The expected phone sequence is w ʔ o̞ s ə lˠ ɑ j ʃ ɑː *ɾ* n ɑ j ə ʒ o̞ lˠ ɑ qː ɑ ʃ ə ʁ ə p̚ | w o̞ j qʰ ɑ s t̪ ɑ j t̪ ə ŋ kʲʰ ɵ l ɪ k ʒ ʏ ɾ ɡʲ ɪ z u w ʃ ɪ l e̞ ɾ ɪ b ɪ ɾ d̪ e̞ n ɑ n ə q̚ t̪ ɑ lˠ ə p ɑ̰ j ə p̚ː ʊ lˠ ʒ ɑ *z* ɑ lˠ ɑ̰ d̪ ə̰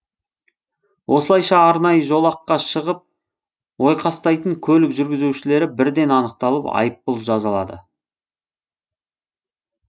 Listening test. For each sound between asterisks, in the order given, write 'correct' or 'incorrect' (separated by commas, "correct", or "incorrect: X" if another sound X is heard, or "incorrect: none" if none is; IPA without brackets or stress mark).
correct, correct